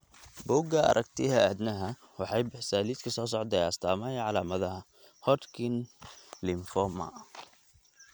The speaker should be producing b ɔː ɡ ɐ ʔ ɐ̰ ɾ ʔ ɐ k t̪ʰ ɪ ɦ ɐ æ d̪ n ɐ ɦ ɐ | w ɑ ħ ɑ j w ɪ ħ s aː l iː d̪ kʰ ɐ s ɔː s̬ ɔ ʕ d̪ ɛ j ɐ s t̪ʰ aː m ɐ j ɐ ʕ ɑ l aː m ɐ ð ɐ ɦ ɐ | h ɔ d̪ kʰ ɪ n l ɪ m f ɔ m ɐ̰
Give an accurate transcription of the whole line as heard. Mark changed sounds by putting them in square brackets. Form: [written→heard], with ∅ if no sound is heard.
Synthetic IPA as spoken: b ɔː ɡ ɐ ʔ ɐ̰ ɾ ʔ ɐ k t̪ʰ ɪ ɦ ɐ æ d̪ n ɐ ɦ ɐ | w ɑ ħ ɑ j [w→b] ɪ ħ s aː l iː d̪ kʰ ɐ s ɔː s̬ ɔ ʕ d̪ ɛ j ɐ s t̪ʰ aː m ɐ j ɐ ʕ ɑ l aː m ɐ ð ɐ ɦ ɐ | h ɔ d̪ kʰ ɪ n l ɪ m f ɔ m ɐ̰